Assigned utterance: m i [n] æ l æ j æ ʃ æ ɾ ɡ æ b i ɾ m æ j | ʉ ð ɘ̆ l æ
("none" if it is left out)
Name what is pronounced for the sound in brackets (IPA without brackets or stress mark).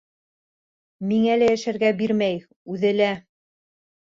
ŋ